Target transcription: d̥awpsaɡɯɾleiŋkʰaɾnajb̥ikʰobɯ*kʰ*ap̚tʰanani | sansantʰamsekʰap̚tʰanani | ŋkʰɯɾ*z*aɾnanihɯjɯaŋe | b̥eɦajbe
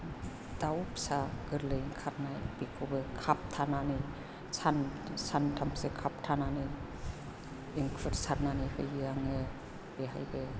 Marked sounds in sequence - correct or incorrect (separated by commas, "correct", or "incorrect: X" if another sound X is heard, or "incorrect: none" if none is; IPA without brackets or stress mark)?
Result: correct, incorrect: s